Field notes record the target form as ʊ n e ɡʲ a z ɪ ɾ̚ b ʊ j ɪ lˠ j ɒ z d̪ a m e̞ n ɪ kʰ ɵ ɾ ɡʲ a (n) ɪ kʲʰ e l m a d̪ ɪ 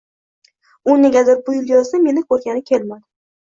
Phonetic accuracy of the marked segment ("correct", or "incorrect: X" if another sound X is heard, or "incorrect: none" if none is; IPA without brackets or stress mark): correct